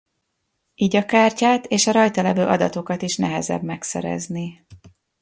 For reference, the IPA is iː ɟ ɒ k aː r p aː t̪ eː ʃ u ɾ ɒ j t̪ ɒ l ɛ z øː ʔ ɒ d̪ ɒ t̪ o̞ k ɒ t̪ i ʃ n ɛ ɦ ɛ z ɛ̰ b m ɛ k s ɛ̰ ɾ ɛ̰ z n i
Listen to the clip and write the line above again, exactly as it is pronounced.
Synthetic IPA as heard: iː ɟ ɒ k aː r c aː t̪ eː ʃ ɒ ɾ ɒ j t̪ ɒ l ɛ v øː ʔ ɒ d̪ ɒ t̪ o̞ k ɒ t̪ i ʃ n ɛ ɦ ɛ z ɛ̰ b m ɛ k s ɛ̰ ɾ ɛ̰ z n i